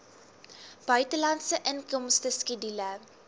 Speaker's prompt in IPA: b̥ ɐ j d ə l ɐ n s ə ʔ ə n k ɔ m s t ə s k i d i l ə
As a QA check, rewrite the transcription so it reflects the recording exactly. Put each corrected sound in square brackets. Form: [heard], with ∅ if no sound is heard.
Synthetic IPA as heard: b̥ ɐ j [t] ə l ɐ n s ə ʔ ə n k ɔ m s t ə s k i d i l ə